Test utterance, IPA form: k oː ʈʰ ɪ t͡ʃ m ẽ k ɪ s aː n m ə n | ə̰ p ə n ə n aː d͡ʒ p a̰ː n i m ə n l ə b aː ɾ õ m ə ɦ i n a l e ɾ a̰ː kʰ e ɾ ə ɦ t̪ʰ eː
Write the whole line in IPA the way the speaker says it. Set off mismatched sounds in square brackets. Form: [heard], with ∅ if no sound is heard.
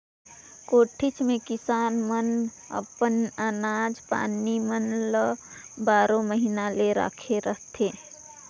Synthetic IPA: k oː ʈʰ ɪ t͡ʃ m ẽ k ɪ s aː n m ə n | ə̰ p ə n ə n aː d͡ʒ p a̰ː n i m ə n l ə b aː ɾ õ m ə ɦ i n a l e ɾ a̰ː kʰ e ɾ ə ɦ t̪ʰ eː